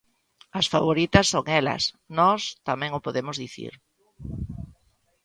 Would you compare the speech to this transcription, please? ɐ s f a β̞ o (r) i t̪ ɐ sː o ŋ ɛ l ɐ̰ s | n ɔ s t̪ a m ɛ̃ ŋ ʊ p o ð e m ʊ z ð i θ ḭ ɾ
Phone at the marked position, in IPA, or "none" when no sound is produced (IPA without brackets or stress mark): ɾ